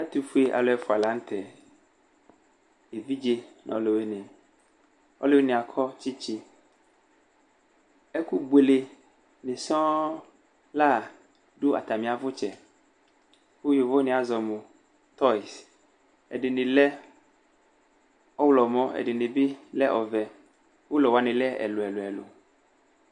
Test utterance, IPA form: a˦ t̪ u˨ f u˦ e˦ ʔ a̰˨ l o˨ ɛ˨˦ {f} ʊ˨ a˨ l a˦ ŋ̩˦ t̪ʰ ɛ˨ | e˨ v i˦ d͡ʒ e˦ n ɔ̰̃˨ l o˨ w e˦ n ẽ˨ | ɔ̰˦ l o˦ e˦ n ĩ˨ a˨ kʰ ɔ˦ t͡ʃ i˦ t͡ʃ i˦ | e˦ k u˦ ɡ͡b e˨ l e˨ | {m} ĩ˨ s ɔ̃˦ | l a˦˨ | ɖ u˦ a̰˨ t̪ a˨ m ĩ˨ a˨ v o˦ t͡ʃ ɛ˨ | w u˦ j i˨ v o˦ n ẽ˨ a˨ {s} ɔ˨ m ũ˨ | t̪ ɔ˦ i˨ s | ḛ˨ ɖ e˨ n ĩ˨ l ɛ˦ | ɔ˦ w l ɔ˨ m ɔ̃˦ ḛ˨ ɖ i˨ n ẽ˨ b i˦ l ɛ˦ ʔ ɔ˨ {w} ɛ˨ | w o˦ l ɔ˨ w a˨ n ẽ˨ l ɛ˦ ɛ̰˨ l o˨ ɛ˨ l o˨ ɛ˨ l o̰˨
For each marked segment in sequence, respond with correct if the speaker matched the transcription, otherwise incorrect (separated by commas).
correct, incorrect, incorrect, incorrect